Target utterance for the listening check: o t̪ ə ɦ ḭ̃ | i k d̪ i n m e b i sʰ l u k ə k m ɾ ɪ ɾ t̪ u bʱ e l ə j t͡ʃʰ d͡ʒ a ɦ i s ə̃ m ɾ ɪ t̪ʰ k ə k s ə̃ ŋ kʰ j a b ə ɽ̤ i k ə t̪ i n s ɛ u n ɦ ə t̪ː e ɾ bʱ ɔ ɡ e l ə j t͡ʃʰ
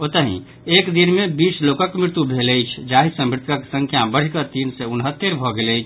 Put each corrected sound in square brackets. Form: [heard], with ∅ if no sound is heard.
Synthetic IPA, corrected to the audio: o t̪ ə ɦ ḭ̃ | [e] k d̪ i n m e b i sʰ l [o] k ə k m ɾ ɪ ɾ t̪ u bʱ e l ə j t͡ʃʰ d͡ʒ a ɦ i s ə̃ m ɾ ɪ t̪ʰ k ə k s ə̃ ŋ kʰ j a b ə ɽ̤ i k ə t̪ i n s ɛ u n ɦ ə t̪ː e ɾ bʱ ɔ ɡ e l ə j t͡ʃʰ